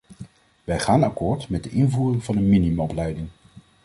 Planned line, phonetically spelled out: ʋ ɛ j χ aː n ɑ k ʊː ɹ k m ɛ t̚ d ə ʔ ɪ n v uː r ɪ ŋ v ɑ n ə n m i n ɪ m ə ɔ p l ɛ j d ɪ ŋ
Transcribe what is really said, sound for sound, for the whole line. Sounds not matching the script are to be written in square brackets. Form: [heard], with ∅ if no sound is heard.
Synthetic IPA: ʋ ɛ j χ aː n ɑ k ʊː ɹ [t] m ɛ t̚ d ə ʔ ɪ n v uː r ɪ ŋ v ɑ n ə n m i n [i] m ə ɔ p l ɛ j d ɪ ŋ